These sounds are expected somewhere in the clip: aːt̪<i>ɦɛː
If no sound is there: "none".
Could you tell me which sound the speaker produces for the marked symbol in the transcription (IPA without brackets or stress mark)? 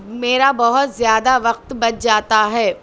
a